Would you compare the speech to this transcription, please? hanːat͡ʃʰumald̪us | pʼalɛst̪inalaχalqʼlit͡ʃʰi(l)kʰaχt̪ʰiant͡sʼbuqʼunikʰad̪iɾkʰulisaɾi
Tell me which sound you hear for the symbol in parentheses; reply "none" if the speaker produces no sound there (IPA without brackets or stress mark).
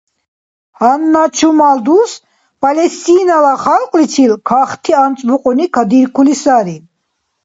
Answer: l